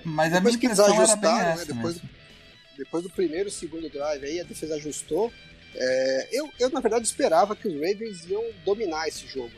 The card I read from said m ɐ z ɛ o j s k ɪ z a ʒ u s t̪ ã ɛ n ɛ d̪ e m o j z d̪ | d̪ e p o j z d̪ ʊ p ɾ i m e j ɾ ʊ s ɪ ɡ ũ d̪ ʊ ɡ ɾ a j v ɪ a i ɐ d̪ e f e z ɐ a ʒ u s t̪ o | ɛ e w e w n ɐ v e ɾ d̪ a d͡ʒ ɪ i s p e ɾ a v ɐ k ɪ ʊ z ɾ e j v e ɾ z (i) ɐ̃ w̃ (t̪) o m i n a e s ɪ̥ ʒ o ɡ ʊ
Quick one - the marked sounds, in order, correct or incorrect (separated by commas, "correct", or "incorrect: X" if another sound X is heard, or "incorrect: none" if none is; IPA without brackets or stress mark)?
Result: correct, incorrect: d̪